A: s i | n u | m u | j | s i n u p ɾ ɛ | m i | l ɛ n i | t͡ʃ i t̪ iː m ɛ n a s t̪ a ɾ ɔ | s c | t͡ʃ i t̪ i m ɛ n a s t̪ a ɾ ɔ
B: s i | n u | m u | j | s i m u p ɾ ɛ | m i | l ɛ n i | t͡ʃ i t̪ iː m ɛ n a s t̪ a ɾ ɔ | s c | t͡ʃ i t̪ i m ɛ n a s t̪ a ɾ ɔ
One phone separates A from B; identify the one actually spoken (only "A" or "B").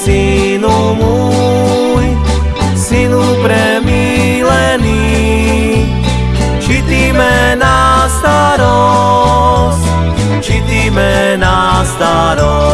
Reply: A